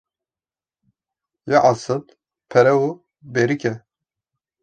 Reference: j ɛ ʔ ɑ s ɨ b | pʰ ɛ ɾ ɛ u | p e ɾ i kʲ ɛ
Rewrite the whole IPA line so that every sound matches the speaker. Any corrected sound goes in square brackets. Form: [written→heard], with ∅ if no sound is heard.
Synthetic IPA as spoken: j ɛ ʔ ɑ s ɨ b | pʰ ɛ ɾ ɛ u | [p→b] e ɾ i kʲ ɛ

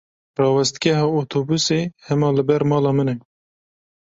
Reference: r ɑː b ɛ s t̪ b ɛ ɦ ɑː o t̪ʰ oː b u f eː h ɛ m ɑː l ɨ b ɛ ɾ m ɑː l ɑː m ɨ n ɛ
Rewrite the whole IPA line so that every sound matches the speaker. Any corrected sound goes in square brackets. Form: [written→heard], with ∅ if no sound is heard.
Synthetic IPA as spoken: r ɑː [b→w] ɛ s t̪ [b→ɡ] ɛ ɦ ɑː o t̪ʰ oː b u [f→s] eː h ɛ m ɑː l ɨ b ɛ ɾ m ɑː l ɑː m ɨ n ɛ

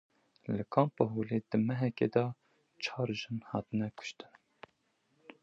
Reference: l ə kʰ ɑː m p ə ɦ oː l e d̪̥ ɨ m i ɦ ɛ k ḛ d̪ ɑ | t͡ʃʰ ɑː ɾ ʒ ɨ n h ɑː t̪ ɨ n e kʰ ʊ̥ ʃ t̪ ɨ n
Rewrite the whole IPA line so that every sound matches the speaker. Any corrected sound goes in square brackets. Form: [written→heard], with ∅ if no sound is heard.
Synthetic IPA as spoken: l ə kʰ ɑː m p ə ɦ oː l e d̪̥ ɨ m [i→ɛ] ɦ ɛ k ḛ d̪ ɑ | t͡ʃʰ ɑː ɾ ʒ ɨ n h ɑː t̪ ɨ n [e→ɛ] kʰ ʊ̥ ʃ t̪ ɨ n

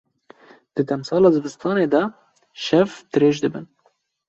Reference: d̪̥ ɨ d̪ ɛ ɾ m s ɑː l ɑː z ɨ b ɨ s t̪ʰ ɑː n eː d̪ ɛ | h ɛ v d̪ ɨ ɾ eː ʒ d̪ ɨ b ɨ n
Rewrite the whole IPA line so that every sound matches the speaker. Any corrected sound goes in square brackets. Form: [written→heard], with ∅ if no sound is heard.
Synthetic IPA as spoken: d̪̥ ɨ d̪ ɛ [ɾ→∅] m s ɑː l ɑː z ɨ b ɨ s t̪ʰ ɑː n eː d̪ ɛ | [h→ʃ] ɛ v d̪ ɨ ɾ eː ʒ d̪ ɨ b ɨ n

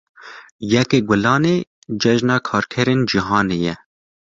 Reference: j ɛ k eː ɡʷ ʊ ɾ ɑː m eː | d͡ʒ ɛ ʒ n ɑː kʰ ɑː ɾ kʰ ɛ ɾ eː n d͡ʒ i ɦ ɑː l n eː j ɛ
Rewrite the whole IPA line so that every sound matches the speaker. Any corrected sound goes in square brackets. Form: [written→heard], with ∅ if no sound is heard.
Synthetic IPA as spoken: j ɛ k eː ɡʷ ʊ [ɾ→l] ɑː [m→n] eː | d͡ʒ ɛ ʒ n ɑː kʰ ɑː ɾ kʰ ɛ ɾ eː n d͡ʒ i ɦ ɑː [l→∅] n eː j ɛ

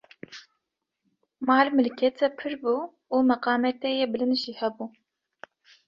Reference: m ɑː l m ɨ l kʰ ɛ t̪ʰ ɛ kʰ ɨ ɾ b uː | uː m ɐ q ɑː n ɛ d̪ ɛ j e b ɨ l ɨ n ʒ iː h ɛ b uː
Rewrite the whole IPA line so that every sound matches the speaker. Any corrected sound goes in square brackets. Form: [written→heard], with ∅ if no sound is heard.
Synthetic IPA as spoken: m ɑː l m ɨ l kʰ ɛ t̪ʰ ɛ [kʰ→pʰ] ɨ ɾ b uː | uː m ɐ q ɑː [n→m] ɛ [d̪→t̪] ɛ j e b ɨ l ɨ n ʒ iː h ɛ b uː

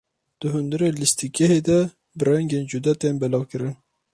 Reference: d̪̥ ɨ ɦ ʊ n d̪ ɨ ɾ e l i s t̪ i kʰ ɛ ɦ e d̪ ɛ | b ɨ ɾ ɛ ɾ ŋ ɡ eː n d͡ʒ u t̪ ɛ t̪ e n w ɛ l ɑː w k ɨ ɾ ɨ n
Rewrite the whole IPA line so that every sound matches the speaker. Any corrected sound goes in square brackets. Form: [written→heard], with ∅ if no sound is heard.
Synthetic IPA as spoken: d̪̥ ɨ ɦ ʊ n d̪ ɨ ɾ e l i s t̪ i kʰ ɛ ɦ e d̪ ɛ | b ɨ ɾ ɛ [ɾ→∅] ŋ ɡ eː n d͡ʒ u [t̪→d̪] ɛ t̪ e n [w→b] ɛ l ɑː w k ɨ ɾ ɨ n

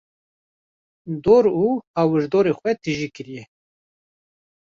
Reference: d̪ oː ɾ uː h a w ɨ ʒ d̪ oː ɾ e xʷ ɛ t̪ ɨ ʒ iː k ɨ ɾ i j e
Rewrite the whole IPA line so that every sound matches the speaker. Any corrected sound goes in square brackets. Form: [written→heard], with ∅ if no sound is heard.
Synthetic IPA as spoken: d̪ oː ɾ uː h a w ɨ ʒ d̪ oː ɾ e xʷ ɛ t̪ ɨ ʒ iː k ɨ ɾ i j [e→ɛ]

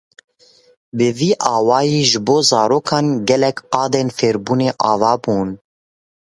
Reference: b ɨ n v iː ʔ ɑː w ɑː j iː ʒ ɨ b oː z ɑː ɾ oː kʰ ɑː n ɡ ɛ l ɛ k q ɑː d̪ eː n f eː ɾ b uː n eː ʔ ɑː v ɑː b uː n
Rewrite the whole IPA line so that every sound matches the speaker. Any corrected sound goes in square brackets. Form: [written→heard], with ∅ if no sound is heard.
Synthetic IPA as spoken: b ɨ [n→∅] v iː ʔ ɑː w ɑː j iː ʒ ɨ b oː z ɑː ɾ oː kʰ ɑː n ɡ ɛ l ɛ k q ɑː d̪ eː n f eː ɾ b uː n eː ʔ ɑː v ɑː b uː n

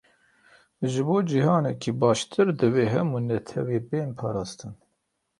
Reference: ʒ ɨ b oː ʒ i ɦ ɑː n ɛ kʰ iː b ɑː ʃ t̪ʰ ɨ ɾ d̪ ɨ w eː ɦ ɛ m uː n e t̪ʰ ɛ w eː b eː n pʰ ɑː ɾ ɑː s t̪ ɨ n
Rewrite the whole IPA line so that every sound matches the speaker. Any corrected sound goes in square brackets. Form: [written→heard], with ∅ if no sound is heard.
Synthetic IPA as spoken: ʒ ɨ b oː [ʒ→d͡ʒ] i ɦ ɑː n ɛ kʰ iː b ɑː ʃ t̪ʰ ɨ ɾ d̪ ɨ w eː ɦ ɛ m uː n [e→ɛ] t̪ʰ ɛ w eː b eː n pʰ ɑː ɾ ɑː s t̪ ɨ n

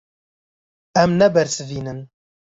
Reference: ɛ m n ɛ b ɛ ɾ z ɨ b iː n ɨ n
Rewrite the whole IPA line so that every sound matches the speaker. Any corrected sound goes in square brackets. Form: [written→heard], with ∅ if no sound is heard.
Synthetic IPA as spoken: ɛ m n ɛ b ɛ ɾ [z→s] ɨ [b→v] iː n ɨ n

